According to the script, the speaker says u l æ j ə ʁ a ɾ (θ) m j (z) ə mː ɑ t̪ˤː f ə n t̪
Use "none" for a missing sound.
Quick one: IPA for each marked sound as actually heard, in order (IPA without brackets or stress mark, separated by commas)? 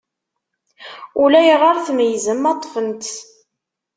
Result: θ, z